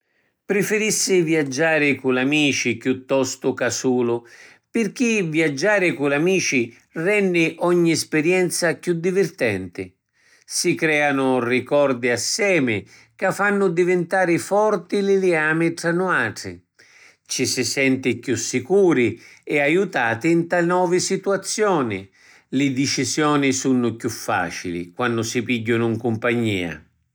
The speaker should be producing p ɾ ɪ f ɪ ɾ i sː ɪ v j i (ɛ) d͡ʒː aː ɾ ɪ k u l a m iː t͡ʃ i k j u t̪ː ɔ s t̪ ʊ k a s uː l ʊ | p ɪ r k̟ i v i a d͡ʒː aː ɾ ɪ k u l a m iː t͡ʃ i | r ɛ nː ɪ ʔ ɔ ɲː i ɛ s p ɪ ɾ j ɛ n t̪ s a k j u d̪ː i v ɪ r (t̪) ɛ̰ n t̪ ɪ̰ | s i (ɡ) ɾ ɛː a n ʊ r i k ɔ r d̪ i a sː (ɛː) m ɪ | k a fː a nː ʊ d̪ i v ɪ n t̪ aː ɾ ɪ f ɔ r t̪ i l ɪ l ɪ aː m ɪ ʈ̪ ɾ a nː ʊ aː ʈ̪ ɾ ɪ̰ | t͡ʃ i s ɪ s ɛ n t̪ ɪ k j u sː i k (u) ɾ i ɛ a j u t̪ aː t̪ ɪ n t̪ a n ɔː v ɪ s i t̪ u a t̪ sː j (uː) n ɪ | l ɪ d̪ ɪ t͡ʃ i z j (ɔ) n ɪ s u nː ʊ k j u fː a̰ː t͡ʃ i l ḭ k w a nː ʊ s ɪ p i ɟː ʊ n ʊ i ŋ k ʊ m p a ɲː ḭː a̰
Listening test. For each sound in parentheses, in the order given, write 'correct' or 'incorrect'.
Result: incorrect: a, correct, incorrect: k, correct, incorrect: uː, incorrect: ɔː, incorrect: ɔː

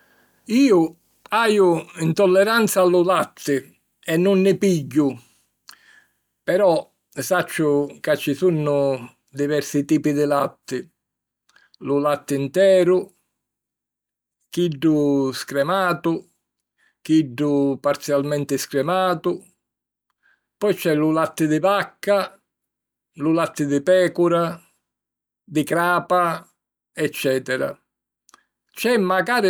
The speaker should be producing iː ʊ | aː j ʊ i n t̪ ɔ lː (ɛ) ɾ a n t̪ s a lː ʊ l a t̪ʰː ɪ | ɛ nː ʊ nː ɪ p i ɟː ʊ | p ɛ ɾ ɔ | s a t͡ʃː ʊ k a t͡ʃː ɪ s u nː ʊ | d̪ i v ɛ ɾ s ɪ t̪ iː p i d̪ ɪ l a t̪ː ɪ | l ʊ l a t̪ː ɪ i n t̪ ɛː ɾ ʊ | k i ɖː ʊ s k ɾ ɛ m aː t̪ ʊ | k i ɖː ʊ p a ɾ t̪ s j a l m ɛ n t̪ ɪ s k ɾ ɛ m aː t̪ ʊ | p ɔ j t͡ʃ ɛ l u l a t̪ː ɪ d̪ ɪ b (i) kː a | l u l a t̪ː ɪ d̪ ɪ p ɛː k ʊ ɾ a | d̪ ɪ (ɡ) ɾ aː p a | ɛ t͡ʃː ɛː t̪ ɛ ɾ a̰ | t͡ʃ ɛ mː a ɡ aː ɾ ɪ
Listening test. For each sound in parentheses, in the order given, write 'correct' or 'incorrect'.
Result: correct, incorrect: a, incorrect: k

